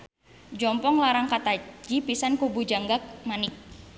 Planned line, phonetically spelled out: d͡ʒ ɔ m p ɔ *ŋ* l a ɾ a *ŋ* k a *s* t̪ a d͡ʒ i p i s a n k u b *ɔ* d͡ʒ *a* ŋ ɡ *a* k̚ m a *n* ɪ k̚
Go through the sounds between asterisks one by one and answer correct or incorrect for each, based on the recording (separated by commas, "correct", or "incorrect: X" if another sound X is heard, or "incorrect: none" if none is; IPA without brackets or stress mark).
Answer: correct, correct, incorrect: none, incorrect: u, correct, correct, correct